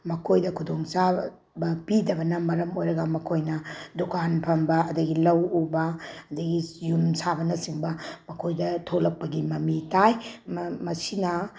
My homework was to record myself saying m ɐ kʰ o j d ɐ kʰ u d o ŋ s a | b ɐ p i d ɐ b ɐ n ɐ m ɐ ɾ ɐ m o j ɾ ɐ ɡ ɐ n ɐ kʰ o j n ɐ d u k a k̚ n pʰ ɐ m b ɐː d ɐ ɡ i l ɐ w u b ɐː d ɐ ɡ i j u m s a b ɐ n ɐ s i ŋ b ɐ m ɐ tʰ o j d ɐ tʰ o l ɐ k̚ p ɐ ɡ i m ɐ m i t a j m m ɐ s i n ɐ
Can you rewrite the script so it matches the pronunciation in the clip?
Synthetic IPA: m ɐ kʰ o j d ɐ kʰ u d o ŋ s a | b ɐ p i d ɐ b ɐ n ɐ m ɐ ɾ ɐ m o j ɾ ɐ ɡ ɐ m ɐ kʰ o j n ɐ d u k a n pʰ ɐ m b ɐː d ɐ ɡ i l ɐ w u b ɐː d ɐ ɡ i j u m s a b ɐ n ɐ s i ŋ b ɐ m ɐ kʰ o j d ɐ tʰ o l ɐ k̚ p ɐ ɡ i m ɐ m i t a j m m ɐ s i n ɐ